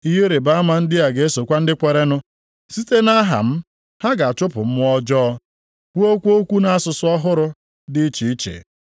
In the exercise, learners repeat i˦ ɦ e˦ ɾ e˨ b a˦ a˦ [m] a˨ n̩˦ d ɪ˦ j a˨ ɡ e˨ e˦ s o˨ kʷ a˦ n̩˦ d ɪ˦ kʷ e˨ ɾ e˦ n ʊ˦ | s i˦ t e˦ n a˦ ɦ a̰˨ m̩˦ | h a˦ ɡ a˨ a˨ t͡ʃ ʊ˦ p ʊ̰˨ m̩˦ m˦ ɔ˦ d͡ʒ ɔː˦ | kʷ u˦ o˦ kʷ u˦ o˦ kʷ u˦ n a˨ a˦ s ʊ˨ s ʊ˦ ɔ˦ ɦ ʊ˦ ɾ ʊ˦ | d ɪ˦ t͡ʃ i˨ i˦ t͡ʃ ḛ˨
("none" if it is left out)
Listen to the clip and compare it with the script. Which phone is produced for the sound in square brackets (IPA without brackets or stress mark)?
m